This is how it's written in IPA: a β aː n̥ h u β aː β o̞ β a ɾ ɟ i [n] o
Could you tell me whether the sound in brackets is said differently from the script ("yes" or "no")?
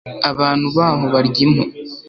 yes